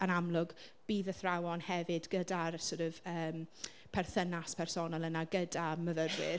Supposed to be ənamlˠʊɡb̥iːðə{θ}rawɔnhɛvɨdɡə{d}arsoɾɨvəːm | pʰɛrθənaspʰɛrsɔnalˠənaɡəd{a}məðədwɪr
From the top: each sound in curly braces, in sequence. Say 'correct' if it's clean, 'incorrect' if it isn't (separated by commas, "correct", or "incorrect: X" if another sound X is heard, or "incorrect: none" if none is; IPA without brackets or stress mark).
correct, correct, correct